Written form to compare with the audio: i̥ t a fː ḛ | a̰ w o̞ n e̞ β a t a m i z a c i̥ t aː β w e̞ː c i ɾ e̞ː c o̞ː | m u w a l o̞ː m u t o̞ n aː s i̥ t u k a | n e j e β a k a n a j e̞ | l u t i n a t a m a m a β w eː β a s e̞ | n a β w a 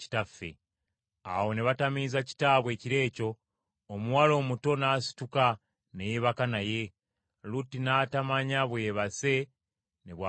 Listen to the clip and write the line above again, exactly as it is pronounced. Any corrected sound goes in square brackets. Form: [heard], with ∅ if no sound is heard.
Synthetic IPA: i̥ t a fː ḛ | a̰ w o̞ n e̞ β a t a m i z a c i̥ t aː β w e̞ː c i ɾ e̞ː c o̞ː | m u w a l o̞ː m u t o̞ n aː s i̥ t u k a | n e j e β a k a n a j e̞ | l u t i n a t a m a [ɲ] a β w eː β a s e̞ | n [e] β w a